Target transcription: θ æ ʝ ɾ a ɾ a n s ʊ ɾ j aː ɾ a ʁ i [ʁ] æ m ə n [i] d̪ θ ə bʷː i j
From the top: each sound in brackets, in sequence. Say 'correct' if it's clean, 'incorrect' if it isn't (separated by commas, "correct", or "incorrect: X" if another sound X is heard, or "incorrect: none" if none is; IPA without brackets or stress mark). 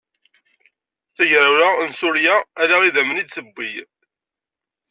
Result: incorrect: ð, correct